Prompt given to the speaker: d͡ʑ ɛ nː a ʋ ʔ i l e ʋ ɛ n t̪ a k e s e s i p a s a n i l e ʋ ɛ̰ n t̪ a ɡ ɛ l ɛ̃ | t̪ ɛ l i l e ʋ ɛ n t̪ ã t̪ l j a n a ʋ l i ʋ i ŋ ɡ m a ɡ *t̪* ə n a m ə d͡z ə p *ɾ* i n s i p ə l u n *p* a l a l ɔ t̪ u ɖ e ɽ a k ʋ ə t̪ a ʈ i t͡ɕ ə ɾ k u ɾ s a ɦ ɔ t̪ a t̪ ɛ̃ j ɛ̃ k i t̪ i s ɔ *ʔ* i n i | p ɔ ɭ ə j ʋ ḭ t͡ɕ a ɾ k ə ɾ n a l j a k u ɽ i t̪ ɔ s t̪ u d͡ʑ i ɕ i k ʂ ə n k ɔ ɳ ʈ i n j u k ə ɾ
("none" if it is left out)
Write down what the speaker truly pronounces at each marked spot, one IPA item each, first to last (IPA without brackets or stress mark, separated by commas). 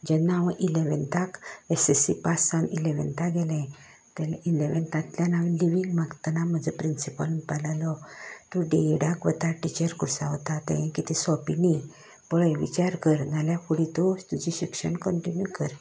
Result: t̪, ɾ, p, p